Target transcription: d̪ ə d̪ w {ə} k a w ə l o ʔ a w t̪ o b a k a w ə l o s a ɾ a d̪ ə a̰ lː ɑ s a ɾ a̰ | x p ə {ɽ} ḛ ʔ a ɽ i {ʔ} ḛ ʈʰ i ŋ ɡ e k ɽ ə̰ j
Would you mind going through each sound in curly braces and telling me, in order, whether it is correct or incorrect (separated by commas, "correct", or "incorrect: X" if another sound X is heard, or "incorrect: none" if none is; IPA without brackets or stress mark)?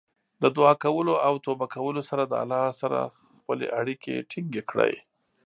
incorrect: ɑ, incorrect: l, incorrect: k